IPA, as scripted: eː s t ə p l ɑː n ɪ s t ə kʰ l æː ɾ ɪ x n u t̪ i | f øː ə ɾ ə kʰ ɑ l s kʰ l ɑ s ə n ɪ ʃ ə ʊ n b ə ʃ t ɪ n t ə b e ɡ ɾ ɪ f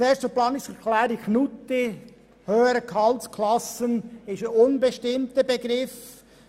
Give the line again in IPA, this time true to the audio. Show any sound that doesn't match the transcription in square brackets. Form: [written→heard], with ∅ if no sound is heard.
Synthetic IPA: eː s t ə p l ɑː n ɪ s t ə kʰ l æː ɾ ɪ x n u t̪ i | [f→h] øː ə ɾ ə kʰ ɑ l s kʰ l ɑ s ə n ɪ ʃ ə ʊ n b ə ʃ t ɪ [n→m] t ə b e ɡ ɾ ɪ f